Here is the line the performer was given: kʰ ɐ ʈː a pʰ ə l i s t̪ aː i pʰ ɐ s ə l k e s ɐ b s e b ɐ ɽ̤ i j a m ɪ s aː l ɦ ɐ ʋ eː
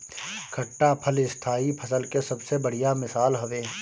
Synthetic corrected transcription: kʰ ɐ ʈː a pʰ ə l ɪ s t̪ʰ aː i pʰ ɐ s ə l k e s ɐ b s e b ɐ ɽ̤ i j a m ɪ s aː l ɦ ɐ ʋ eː